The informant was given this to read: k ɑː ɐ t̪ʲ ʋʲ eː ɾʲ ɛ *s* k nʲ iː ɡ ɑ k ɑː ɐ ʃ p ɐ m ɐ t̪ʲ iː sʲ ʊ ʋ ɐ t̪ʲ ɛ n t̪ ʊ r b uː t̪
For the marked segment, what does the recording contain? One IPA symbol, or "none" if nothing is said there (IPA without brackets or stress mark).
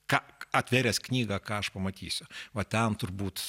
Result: s